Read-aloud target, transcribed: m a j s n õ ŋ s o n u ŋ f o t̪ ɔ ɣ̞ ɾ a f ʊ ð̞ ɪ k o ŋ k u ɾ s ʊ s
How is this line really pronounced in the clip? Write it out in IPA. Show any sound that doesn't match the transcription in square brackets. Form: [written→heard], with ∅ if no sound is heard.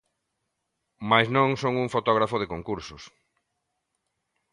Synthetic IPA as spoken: m a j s n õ ŋ s o [n→ŋ] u ŋ f o t̪ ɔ ɣ̞ ɾ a f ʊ ð̞ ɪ k o ŋ k u ɾ s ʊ s